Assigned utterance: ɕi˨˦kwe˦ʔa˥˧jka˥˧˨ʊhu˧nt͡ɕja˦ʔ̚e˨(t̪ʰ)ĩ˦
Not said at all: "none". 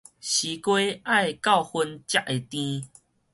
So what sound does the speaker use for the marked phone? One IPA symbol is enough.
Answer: t̪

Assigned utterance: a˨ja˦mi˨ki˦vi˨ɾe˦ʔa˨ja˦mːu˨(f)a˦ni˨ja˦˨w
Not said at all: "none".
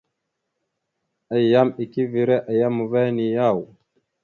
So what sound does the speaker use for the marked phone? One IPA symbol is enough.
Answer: v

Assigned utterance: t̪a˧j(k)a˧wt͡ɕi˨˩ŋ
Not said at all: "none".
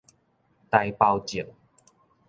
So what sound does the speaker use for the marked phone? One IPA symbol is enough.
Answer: p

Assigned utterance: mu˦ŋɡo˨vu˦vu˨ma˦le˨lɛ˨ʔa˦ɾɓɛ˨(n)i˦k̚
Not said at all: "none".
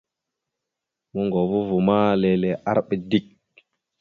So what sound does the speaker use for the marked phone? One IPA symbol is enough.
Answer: d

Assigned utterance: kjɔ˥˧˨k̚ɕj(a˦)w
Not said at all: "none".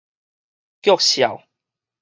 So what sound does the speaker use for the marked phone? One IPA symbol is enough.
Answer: a˨˩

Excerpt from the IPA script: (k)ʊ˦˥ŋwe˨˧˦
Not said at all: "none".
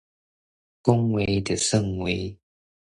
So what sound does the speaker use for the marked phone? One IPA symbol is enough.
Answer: k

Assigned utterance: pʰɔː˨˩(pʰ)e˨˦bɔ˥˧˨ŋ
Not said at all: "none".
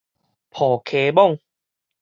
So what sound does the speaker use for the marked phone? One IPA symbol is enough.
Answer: kʰ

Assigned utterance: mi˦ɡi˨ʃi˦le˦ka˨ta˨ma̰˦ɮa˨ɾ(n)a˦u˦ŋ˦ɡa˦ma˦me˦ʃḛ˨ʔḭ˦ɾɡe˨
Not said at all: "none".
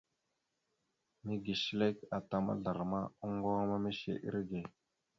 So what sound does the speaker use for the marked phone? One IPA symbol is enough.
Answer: m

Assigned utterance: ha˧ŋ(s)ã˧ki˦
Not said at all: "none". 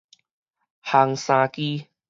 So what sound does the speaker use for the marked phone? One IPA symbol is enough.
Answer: s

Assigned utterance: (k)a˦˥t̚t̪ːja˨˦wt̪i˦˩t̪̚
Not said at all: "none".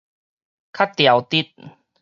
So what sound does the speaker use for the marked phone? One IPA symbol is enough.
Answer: kʰ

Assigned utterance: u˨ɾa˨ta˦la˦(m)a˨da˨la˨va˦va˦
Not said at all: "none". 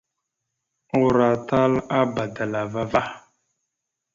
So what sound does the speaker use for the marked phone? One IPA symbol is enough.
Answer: b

